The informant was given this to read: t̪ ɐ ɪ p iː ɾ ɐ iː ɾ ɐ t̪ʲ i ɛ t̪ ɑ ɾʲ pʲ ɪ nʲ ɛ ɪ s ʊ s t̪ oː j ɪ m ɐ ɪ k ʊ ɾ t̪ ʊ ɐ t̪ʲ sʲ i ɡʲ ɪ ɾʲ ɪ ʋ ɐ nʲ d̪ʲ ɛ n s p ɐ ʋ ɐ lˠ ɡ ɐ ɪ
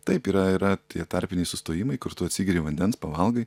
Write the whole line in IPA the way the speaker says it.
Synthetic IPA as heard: t̪ ɐ ɪ p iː ɾ ɐ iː ɾ ɐ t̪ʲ i ɛ t̪ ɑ ɾʲ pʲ ɪ nʲ ɛ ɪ s ʊ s t̪ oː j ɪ m ɐ ɪ k ʊ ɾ t̪ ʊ ɐ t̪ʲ sʲ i ɡʲ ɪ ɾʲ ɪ ʋ ɐ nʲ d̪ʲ ɛ n s p ɐ ʋ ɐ lˠ ɡ ɐ ɪ